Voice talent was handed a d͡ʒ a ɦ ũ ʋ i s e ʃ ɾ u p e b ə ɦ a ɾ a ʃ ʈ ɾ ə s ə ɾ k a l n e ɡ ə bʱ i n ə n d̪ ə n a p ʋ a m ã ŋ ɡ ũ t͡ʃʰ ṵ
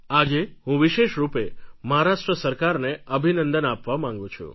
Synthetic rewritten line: a d͡ʒ e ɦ ũ ʋ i ʃ e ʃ ɾ u p e m ə ɦ a ɾ a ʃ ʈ ɾ ə s ə ɾ k a ɾ n e ə bʱ i n ə n d̪ ə n a p ʋ a m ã ŋ ɡ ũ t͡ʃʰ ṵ